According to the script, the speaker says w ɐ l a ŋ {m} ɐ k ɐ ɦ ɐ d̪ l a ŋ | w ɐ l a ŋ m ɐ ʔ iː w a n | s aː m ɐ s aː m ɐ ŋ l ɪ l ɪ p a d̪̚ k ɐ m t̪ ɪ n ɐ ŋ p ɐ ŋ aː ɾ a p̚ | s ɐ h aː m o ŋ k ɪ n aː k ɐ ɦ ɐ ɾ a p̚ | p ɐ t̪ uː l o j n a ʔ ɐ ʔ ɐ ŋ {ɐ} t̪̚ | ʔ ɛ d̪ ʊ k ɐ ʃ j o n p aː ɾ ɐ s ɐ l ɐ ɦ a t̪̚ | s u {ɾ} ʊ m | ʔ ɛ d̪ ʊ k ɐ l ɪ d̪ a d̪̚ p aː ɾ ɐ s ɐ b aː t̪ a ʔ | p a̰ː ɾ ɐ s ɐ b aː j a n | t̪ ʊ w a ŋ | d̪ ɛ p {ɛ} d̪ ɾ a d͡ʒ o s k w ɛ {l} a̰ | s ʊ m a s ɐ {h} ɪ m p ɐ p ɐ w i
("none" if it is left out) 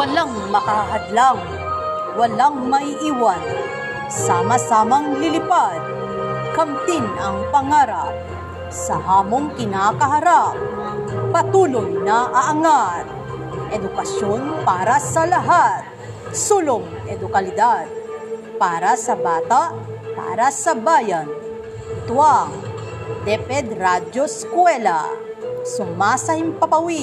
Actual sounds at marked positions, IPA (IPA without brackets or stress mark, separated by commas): m, a, l, ɛ, l, h